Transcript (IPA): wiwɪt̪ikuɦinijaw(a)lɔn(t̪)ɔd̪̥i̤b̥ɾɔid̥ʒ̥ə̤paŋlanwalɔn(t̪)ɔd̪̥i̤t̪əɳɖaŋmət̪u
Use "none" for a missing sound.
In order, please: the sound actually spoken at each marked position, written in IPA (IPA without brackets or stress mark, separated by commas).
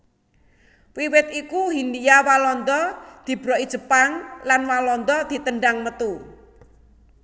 a, d̪, d̪